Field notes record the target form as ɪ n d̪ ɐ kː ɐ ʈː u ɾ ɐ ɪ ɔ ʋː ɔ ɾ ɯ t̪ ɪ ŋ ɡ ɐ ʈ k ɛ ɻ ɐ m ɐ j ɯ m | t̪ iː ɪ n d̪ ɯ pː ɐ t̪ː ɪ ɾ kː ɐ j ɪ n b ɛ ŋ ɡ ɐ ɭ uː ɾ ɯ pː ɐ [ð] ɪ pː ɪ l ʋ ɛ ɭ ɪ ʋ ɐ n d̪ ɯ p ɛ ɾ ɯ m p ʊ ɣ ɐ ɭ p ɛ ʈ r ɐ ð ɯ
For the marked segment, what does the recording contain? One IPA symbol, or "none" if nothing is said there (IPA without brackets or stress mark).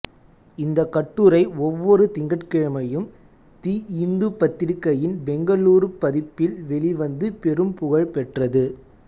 ð